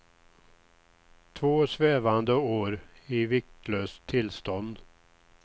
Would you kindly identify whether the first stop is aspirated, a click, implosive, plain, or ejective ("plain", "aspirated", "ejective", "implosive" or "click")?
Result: aspirated